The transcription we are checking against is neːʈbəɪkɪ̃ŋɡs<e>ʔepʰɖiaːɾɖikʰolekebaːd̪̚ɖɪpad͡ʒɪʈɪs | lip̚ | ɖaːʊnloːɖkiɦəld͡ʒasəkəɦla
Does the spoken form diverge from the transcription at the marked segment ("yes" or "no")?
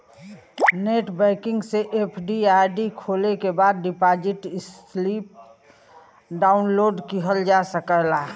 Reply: no